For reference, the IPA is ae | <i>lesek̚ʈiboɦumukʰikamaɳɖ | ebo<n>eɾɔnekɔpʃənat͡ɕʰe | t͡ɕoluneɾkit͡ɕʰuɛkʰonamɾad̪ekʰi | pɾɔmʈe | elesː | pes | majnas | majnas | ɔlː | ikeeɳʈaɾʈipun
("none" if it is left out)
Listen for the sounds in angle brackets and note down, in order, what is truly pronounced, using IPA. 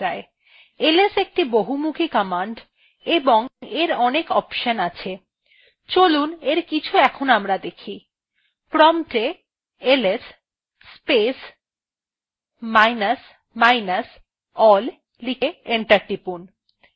e, ŋ

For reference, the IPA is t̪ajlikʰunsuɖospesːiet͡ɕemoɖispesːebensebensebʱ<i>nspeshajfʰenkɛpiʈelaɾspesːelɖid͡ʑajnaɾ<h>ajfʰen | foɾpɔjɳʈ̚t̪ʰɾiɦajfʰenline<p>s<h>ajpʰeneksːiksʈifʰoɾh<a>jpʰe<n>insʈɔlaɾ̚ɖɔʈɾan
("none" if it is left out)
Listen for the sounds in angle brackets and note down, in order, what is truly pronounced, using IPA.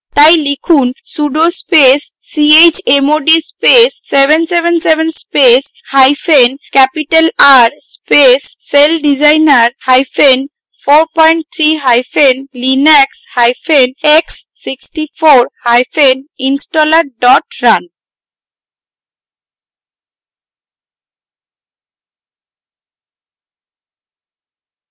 e, h, k, h, a, n

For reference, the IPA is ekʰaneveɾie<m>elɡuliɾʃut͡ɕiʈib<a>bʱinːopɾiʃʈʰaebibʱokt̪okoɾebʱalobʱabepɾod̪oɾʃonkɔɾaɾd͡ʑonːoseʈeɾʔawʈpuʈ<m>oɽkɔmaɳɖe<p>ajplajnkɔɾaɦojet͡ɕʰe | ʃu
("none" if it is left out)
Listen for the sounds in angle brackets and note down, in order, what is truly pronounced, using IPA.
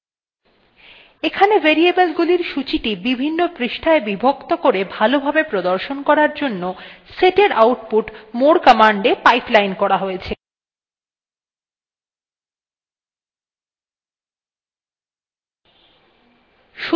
b, i, m, p

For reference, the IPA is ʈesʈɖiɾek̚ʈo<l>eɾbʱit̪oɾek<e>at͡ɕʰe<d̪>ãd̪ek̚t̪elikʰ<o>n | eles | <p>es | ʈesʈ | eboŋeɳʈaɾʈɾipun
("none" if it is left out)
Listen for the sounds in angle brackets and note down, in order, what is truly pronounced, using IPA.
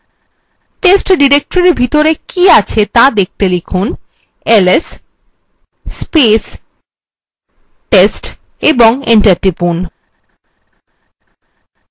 ɾ, i, t̪, u, p

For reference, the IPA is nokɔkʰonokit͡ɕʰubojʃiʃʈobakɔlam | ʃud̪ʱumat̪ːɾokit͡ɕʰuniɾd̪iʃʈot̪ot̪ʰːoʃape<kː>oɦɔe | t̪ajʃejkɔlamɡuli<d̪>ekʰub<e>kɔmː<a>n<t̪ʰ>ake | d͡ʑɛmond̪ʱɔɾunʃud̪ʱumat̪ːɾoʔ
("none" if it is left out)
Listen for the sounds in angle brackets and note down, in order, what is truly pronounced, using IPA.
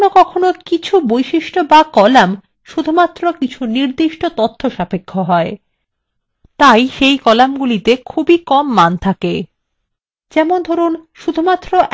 kʰː, t̪, i, a, t̪ʰ

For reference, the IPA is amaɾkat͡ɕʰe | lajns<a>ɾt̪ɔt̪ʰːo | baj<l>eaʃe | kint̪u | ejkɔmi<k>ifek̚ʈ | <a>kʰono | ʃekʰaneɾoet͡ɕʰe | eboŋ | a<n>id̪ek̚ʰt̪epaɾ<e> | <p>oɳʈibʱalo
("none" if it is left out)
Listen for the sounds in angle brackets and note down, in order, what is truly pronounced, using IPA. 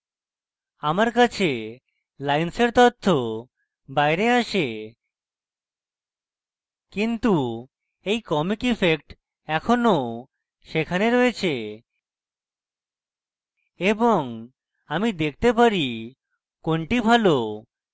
e, ɾ, k, ɛ, m, i, k

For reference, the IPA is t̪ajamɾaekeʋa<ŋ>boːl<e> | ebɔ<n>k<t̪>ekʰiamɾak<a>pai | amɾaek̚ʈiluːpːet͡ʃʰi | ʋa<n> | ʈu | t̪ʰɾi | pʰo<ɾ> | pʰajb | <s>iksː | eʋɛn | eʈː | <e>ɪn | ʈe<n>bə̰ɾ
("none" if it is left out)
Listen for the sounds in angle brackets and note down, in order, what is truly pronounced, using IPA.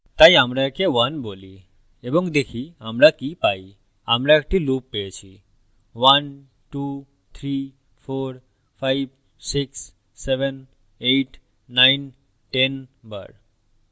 n, i, ŋ, d̪, i, n, ɾ, s, a, n

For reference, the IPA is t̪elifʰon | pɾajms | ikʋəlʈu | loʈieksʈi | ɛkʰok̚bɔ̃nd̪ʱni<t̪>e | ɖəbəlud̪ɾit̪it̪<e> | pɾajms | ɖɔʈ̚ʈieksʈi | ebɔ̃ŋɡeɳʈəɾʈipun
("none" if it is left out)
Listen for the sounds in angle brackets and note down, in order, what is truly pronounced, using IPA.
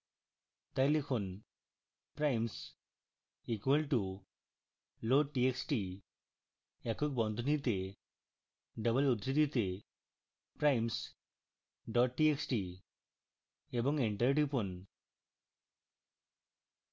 t̪, e

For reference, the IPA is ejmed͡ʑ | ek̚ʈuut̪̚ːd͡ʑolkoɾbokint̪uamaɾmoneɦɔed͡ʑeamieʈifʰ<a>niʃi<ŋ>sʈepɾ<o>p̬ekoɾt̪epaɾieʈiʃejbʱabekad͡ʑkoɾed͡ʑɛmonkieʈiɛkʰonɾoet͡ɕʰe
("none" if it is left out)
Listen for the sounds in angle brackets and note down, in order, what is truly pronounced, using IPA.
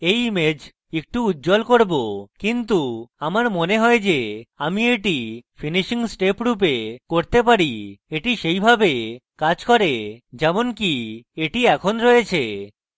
i, ŋ, u

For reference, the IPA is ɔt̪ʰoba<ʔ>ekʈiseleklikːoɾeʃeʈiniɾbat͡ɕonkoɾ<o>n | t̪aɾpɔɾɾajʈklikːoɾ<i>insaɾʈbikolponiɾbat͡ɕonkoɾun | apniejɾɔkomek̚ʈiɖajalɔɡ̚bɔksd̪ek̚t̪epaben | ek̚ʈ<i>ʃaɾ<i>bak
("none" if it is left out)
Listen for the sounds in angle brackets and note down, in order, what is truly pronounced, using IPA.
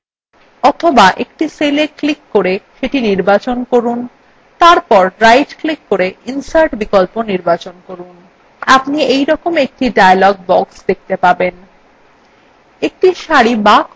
ʔ, u, e, i, i

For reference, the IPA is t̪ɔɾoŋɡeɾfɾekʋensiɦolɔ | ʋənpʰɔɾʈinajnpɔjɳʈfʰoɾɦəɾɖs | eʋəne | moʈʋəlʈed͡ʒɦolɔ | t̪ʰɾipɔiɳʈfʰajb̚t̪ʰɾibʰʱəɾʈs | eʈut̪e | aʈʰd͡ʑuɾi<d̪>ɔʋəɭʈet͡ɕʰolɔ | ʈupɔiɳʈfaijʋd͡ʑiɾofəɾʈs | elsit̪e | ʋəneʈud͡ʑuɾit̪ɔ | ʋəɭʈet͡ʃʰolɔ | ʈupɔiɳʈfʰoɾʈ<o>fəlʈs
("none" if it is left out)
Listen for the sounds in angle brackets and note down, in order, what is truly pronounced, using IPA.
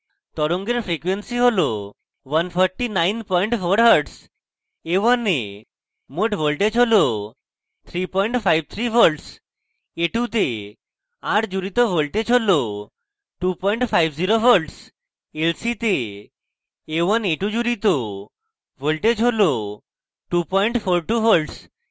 t̪, u

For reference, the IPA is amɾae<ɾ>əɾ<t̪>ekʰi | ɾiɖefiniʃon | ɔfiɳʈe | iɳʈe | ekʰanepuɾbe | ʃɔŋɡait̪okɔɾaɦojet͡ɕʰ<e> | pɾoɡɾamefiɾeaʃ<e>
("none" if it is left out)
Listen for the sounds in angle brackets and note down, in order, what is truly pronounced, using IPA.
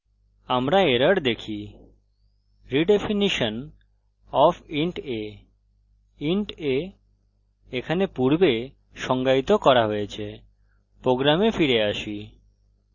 ɾ, d̪, e, i

